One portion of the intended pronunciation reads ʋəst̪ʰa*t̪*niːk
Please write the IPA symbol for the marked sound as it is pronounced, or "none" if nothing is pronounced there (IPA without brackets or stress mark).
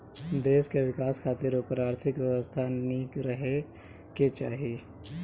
none